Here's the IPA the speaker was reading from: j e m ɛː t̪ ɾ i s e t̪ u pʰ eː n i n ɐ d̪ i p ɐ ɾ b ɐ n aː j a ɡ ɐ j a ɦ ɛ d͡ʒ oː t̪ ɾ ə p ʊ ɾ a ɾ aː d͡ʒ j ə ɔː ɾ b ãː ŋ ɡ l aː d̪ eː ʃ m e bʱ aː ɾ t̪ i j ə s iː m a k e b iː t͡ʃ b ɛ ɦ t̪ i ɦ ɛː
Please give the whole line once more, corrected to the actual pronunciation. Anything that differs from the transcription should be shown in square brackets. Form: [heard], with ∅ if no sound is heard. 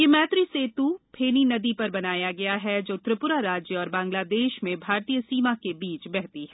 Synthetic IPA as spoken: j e m ɛː t̪ ɾ i s e t̪ u pʰ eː n i n ɐ d̪ i p ɐ ɾ b ɐ n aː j a ɡ ɐ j a ɦ ɛ d͡ʒ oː t̪ ɾ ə p ʊ ɾ a ɾ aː d͡ʒ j ə ɔː ɾ b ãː ŋ ɡ l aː d̪ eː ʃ m [ẽ] bʱ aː ɾ t̪ i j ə s iː m a k e b iː t͡ʃ b ɛ ɦ t̪ i ɦ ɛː